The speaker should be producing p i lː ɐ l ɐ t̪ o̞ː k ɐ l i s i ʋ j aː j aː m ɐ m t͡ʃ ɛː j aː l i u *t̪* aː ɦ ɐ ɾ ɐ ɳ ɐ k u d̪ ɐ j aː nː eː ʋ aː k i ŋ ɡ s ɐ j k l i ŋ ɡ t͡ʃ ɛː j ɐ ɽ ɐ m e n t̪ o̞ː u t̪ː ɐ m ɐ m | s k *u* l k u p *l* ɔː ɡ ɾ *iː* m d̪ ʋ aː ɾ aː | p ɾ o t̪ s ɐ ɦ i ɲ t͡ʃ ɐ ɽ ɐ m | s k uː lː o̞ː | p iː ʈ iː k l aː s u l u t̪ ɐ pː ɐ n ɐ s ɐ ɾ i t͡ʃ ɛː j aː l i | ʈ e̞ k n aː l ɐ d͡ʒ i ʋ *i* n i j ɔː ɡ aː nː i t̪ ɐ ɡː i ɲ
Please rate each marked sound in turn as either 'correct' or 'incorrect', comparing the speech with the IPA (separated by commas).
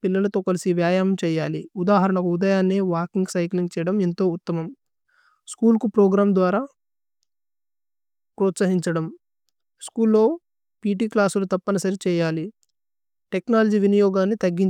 incorrect, incorrect, incorrect, incorrect, correct